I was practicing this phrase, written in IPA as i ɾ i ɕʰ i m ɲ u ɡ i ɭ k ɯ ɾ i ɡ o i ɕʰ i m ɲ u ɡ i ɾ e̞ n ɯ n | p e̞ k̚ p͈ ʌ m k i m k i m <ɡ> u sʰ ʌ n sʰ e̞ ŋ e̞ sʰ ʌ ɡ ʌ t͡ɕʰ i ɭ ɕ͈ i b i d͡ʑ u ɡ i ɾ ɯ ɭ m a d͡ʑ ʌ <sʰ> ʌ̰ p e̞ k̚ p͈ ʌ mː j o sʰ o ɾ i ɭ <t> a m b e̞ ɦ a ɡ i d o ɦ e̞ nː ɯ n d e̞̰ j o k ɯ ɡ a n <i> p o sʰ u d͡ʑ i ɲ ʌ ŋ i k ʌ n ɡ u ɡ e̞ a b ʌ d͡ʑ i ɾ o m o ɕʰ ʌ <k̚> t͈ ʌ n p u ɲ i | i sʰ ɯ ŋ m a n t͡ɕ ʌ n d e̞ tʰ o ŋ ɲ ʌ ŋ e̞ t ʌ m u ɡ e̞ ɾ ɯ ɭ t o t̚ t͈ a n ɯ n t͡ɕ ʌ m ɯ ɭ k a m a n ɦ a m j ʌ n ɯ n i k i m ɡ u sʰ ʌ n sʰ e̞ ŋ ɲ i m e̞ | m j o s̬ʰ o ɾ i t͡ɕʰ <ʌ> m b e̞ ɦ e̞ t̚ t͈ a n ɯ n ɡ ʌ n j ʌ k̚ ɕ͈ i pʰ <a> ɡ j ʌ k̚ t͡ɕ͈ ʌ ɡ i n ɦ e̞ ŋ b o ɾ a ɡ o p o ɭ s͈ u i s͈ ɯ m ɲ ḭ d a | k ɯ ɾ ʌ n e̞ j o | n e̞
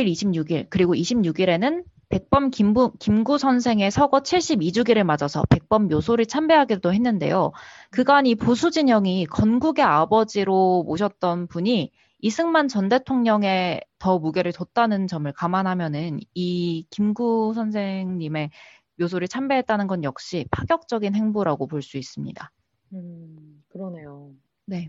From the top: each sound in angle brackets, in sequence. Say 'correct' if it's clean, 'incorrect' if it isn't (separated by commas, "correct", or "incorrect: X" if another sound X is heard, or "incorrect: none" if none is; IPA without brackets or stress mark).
correct, correct, incorrect: t͡ɕʰ, correct, incorrect: t̚, incorrect: a, correct